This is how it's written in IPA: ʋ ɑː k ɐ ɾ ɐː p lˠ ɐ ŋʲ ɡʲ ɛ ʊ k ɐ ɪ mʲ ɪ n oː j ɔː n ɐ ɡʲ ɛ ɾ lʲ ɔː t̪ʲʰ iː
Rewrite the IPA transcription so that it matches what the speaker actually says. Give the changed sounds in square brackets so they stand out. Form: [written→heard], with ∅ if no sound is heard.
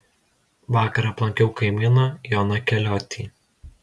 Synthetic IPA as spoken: ʋ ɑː k ɐ ɾ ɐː p lˠ ɐ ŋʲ [ɡʲ→kʲ] ɛ ʊ k ɐ ɪ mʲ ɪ n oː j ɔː n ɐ [ɡʲ→kʲ] ɛ [ɾ→∅] lʲ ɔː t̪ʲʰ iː